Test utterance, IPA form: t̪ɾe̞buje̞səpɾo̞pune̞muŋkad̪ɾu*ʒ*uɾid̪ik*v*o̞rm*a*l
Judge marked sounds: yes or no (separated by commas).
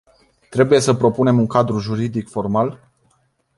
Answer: yes, no, yes